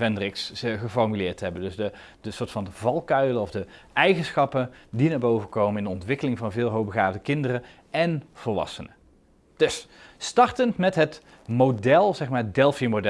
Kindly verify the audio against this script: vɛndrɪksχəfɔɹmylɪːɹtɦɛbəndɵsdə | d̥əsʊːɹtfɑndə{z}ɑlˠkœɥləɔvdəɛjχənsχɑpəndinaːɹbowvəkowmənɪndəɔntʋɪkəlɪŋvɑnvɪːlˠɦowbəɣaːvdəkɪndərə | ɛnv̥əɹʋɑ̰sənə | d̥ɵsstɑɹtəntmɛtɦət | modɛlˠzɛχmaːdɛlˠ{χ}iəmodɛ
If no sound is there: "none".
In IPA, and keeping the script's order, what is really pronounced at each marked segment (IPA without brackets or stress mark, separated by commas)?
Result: v, f